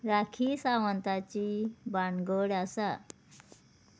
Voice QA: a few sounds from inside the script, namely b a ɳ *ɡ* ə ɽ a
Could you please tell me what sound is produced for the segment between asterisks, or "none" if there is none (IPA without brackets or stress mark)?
ɡ